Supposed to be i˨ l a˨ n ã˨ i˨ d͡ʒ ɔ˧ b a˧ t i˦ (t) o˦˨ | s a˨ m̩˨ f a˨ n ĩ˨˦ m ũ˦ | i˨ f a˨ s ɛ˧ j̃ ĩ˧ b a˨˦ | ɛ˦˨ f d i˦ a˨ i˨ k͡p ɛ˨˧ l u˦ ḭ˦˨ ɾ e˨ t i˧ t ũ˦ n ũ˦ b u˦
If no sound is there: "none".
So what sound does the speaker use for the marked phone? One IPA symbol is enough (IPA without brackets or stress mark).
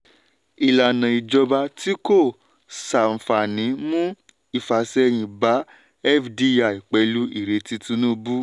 k